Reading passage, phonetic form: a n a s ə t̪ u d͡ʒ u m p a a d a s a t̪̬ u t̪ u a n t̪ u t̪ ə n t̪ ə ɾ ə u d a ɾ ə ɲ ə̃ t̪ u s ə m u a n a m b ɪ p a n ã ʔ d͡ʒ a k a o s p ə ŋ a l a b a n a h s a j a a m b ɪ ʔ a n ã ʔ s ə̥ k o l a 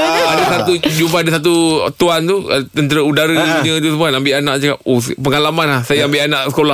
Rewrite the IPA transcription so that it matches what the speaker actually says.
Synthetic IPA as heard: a d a s a t̪ u d͡ʒ u m p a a d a s a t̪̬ u t̪ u a n t̪ u t̪ ə n t̪ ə ɾ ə u d a ɾ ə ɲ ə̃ t̪ u s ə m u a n a m b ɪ ʔ a n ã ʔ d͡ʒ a k a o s p ə ŋ a l a m a n a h s a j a a m b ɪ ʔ a n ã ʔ s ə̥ k o l a